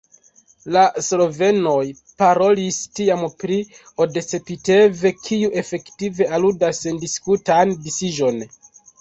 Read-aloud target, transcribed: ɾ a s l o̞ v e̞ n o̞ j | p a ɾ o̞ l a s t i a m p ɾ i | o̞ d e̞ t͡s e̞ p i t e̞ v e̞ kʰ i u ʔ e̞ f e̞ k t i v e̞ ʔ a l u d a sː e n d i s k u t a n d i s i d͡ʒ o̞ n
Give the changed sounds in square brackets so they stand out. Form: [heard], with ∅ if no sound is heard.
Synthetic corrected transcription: [l] a s l o̞ v e̞ n o̞ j | p a ɾ o̞ l [i] s t i a m p ɾ i | o̞ d e̞ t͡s e̞ p i t e̞ v e̞ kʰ i u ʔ e̞ f e̞ k t i v e̞ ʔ a l u d a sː e n d i s k u t a n d i s i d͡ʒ o̞ n

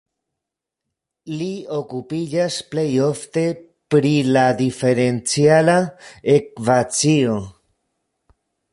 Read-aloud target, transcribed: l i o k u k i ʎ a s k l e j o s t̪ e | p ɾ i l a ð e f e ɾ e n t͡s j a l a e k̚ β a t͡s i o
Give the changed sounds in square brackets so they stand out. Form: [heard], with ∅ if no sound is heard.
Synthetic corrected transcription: l i o k u [p] i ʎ a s [p] l e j o [f] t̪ e | p ɾ i l a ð [i] f e ɾ e n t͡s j a l a e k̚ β a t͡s i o

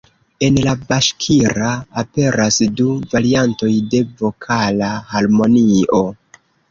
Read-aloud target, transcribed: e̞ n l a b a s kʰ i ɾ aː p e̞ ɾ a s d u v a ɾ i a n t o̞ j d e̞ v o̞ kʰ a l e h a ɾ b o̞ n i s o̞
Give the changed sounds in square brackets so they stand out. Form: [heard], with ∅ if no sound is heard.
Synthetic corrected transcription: e̞ n l a b a [ʃ] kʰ i ɾ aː p e̞ ɾ a s d u v a ɾ i a n t o̞ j d e̞ v o̞ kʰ a l [a] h a ɾ [m] o̞ n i [∅] o̞

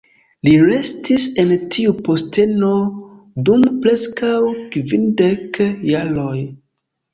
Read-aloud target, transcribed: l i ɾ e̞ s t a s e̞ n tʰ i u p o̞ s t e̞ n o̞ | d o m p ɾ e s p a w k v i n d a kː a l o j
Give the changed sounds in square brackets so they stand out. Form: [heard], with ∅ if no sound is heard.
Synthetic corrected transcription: l i ɾ e̞ s t [i] s e̞ n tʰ i u p o̞ s t e̞ n o̞ | d [u] m p ɾ e s [k] a w k v i n d [e] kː a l o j

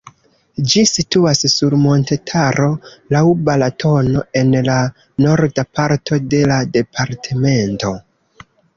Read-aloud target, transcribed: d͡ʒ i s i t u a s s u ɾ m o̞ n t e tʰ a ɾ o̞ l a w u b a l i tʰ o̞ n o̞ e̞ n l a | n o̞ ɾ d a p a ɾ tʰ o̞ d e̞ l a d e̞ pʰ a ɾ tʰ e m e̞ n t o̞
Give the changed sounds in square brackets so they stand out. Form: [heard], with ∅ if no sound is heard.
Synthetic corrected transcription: d͡ʒ i s i t u a s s u ɾ m o̞ n t e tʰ a ɾ o̞ l a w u b a l [a] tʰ o̞ n o̞ e̞ n l a | n o̞ ɾ d a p a ɾ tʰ o̞ d e̞ l a d e̞ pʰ a ɾ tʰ e m e̞ n t o̞

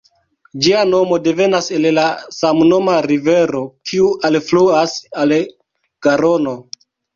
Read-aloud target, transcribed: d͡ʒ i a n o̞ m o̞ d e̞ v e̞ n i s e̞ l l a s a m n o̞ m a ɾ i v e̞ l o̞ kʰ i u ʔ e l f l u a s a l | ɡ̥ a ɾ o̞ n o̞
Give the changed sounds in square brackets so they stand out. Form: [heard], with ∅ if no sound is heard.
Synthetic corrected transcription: d͡ʒ i a n o̞ m o̞ d e̞ v e̞ n [a] s e̞ l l a s a m n o̞ m a ɾ i v e̞ [ɾ] o̞ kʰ i u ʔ [a] l f l u a s a l | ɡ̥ a ɾ o̞ n o̞

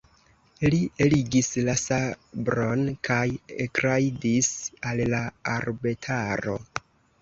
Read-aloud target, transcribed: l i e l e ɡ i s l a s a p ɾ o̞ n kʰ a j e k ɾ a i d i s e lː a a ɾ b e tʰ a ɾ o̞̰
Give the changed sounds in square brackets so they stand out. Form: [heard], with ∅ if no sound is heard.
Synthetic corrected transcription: l i e l [i] ɡ i s l a s a [b] ɾ o̞ n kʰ a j e k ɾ a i d i s [a] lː a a ɾ b e tʰ a ɾ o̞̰

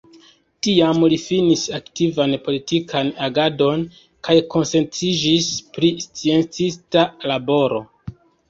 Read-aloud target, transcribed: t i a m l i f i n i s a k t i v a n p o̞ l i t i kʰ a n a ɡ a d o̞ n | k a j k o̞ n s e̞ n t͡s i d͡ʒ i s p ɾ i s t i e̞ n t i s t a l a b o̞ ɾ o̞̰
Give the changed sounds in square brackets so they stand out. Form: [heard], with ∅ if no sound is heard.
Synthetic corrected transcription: t i a m l i f i n i s a k t i v a n p o̞ l i t i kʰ a n a ɡ a d o̞ n | k a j k o̞ n s e̞ n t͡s i d͡ʒ i s p ɾ i s [t͡s] i e̞ n [t͡s] i s t a l a b o̞ ɾ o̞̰

